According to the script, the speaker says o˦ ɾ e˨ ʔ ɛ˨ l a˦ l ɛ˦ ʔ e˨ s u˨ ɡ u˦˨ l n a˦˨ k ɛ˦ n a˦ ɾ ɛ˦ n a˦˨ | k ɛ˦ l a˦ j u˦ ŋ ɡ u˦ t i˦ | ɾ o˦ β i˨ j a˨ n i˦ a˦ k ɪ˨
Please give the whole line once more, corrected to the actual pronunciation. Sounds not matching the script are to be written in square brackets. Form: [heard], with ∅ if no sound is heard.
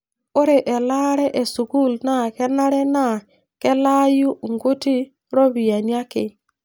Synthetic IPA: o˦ ɾ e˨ ʔ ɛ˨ l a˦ [ɾ] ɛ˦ ʔ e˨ s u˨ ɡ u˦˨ l n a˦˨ k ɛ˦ n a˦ ɾ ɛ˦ n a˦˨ | k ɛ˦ l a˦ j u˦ ŋ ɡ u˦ t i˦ | ɾ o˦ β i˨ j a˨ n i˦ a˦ k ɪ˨

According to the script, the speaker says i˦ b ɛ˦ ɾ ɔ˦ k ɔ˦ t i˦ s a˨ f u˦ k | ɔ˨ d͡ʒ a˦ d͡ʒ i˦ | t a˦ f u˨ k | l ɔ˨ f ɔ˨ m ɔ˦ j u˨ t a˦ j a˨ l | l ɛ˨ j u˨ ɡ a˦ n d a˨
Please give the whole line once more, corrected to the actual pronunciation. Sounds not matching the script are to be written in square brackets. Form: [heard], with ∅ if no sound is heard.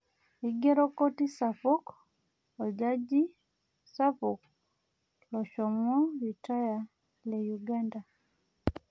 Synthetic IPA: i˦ [ɡ] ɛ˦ ɾ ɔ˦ k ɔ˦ t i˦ s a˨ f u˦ k | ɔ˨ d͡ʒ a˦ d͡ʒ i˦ | [s] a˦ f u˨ k | l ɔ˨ [ʃ] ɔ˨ m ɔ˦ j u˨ t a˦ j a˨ [∅] | l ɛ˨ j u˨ ɡ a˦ n d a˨

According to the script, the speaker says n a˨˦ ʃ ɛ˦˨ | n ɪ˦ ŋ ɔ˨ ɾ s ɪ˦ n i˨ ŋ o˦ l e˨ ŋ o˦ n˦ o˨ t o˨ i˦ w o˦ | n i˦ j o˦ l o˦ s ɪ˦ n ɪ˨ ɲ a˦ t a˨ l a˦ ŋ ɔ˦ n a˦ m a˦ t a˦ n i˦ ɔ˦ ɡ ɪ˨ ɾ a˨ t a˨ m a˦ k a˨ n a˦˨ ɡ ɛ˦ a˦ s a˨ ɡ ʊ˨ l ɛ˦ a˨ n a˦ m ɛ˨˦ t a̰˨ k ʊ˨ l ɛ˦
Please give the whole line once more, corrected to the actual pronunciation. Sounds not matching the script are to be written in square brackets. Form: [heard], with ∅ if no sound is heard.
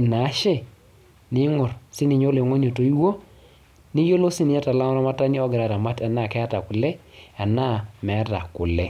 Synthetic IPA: n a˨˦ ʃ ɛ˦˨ | n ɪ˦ ŋ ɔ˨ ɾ s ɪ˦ n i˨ [ɲ] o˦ l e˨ ŋ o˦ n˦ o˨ t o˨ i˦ w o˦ | n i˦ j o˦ l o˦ s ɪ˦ n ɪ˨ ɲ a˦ t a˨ l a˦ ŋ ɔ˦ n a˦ m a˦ t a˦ n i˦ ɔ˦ ɡ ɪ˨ ɾ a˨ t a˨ m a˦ [t] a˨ n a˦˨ [k] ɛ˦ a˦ [t] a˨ [k] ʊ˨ l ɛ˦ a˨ n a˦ m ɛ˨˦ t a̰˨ k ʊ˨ l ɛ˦

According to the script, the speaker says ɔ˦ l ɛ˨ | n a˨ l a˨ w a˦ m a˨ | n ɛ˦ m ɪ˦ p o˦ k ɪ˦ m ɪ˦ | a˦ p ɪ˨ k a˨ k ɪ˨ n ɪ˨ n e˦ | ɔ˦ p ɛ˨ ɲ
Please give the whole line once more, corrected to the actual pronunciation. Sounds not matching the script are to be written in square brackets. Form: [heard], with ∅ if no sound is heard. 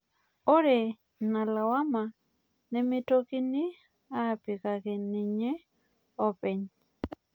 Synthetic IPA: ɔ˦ [ɾ] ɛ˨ | n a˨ l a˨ w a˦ m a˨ | n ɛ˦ m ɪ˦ [t] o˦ k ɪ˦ [n] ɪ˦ | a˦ p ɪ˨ k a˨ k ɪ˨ n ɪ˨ [ɲ] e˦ | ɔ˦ p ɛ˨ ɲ

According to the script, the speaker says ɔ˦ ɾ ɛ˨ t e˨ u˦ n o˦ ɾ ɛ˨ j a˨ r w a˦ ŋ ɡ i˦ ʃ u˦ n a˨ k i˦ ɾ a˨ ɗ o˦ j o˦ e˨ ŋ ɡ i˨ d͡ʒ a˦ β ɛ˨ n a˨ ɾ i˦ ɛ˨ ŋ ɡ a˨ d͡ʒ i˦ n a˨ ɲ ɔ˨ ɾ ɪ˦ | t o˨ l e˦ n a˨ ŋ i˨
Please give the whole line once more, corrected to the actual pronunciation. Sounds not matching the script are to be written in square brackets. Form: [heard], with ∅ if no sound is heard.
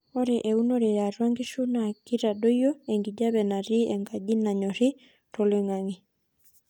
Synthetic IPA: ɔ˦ ɾ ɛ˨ [ʔ] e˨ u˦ n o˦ ɾ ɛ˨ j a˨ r w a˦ ŋ ɡ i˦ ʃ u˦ n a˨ k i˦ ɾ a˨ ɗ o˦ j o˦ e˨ ŋ ɡ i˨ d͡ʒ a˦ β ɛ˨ n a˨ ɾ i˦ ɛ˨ ŋ ɡ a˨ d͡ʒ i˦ n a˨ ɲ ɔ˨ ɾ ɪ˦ | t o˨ l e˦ [ŋ] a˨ ŋ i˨

